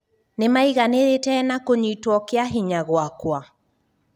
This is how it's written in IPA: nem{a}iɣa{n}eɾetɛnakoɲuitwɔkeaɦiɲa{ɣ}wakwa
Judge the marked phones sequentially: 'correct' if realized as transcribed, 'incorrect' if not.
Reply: correct, correct, correct

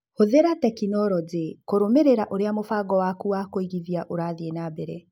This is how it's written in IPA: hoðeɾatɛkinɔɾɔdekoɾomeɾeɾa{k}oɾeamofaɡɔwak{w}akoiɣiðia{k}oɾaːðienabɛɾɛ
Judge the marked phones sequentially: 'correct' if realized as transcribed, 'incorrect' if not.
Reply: incorrect: ʔ, incorrect: u, incorrect: ʔ

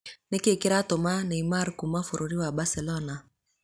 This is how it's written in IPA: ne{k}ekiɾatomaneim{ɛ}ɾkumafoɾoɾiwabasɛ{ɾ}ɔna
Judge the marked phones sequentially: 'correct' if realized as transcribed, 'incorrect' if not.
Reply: correct, incorrect: a, incorrect: l

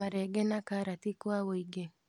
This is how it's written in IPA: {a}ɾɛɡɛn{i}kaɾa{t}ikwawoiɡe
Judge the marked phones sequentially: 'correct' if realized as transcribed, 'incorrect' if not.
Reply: correct, incorrect: a, correct

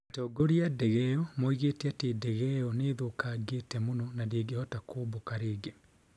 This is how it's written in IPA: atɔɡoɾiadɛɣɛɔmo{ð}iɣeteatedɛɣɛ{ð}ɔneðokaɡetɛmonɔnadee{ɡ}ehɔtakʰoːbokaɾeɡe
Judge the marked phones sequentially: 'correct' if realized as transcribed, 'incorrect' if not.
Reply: incorrect: none, incorrect: none, correct

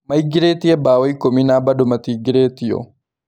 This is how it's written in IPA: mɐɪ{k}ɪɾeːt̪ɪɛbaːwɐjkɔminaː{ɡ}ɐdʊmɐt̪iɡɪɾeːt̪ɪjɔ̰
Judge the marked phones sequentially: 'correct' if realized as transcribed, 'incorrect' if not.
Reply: incorrect: ɡ, incorrect: b

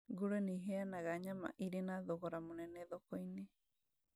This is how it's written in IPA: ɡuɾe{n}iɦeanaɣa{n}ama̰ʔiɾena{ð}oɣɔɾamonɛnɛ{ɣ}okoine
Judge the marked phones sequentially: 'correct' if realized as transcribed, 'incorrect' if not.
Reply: correct, incorrect: ɲ, correct, incorrect: ð

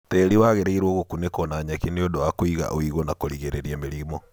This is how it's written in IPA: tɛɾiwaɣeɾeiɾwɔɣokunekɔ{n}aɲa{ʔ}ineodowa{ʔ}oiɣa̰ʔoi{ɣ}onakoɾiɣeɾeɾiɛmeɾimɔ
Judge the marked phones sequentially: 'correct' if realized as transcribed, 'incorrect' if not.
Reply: correct, incorrect: k, incorrect: k, correct

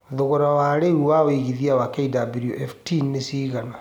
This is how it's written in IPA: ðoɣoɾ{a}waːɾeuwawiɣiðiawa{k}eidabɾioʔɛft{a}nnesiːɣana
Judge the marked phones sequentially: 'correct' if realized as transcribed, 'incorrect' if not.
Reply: correct, correct, incorrect: i

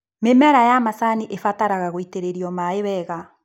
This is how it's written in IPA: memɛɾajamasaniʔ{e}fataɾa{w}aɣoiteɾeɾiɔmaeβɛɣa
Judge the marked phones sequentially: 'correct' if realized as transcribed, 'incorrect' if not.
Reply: correct, incorrect: ɣ

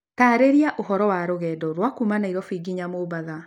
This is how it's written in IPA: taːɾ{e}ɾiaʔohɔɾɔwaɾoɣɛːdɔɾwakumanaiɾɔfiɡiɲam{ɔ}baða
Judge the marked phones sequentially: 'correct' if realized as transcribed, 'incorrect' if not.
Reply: correct, incorrect: o

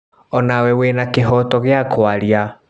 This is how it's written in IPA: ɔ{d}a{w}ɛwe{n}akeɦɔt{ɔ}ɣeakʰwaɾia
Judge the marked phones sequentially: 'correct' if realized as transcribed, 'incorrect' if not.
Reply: incorrect: n, correct, correct, correct

